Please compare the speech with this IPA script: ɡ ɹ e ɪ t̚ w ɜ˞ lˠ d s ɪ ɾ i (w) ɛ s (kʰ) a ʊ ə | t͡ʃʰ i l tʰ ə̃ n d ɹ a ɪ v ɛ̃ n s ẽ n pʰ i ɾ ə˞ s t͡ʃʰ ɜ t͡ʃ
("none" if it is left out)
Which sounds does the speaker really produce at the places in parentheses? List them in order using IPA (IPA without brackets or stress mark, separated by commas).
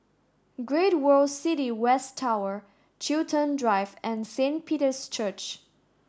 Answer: w, tʰ